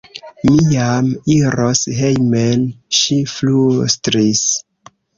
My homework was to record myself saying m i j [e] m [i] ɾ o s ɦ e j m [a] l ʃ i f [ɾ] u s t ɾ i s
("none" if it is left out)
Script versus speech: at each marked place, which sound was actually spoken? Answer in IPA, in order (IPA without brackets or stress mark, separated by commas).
a, i, e, l